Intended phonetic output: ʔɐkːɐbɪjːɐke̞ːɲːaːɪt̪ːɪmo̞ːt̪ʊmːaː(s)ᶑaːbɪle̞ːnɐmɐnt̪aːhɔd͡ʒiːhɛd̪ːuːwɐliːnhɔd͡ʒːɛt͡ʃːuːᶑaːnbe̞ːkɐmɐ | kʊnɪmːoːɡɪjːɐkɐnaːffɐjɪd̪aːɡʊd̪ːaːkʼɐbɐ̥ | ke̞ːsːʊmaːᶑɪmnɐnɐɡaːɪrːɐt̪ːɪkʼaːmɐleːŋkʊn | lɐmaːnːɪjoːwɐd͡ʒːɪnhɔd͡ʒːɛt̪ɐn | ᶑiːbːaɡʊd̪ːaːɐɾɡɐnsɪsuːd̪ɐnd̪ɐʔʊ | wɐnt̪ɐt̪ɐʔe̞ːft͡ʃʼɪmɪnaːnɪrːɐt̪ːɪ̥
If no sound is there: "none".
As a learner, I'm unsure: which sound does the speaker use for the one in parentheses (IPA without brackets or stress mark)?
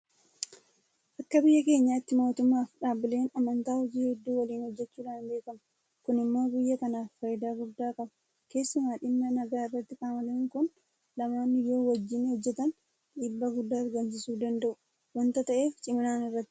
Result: f